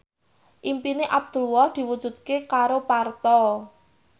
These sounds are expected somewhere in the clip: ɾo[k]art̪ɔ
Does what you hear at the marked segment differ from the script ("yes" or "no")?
yes